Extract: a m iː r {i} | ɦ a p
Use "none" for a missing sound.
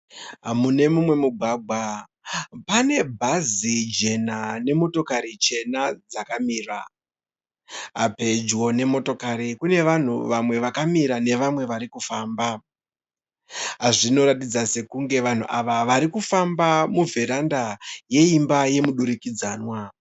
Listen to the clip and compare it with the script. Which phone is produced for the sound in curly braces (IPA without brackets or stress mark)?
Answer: a